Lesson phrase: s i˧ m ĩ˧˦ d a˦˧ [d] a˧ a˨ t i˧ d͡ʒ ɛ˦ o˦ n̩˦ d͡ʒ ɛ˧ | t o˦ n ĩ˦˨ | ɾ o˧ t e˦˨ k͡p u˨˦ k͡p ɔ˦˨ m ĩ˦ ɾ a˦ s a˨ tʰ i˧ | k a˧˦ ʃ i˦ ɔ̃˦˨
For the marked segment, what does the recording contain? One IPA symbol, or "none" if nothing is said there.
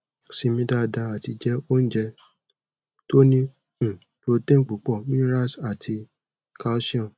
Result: d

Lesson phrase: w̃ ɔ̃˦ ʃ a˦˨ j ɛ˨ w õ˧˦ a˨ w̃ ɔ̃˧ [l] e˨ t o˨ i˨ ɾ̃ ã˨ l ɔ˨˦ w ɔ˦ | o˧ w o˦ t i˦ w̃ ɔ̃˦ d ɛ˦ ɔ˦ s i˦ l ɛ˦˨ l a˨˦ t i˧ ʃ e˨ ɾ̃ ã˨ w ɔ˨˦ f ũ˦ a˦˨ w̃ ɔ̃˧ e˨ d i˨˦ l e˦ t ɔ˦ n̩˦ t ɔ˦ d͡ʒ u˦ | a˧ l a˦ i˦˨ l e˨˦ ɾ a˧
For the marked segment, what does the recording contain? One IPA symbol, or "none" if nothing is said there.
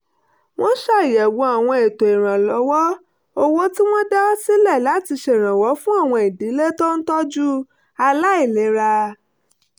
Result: none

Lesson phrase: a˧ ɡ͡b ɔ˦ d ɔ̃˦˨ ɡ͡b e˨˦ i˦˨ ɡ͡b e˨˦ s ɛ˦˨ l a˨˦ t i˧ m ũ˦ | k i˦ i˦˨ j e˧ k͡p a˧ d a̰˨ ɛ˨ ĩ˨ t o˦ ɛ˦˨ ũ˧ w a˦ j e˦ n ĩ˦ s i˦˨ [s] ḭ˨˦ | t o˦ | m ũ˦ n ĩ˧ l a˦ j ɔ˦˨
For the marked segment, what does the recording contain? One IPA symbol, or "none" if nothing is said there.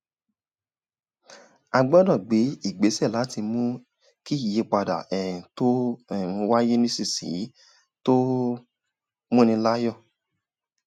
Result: s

